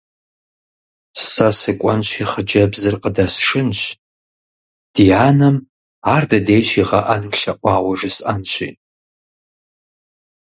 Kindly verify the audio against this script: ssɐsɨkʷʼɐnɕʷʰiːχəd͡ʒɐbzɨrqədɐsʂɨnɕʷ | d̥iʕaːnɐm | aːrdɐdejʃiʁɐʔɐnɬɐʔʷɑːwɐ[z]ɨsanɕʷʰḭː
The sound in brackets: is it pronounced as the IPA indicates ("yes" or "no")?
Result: no